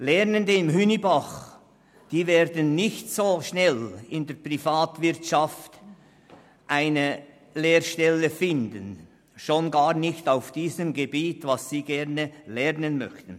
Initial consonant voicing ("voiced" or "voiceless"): voiced